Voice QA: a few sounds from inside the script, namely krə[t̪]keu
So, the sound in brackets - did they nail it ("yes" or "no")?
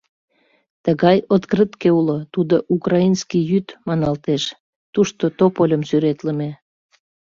yes